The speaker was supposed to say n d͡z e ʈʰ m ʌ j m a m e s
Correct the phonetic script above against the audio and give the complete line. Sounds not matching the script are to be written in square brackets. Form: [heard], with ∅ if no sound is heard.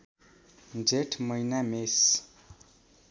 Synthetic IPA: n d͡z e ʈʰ m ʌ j [n] a m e s